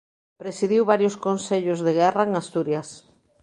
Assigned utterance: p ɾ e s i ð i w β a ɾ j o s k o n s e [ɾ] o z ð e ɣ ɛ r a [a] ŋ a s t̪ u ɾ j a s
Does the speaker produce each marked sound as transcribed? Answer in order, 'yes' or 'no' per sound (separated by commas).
no, no